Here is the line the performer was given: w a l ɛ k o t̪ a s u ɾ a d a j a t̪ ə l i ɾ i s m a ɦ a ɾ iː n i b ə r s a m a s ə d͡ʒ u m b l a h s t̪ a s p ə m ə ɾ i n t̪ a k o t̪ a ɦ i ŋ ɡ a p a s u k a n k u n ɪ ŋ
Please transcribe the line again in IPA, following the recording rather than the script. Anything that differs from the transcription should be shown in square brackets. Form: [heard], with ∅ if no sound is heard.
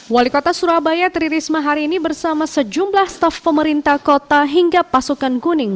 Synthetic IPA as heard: w a l [i] k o t̪ a s u ɾ a [b] a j a t̪ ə [ɾ] i ɾ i s m a ɦ a ɾ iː n i b ə r s a m a s ə d͡ʒ u m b l a h s t̪ a [f] p ə m ə ɾ i n t̪ a k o t̪ a ɦ i ŋ ɡ a p a s u k a n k u n ɪ ŋ